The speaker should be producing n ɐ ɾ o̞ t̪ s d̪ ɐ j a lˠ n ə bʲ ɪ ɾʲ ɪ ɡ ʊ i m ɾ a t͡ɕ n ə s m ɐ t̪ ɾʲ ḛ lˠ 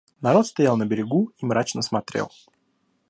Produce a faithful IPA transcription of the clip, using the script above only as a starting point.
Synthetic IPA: n ɐ ɾ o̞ t̪ s t̪ ɐ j a lˠ n ə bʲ ɪ ɾʲ ɪ ɡ u i m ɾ a t͡ɕ n ə s m ɐ t̪ ɾʲ ḛ lˠ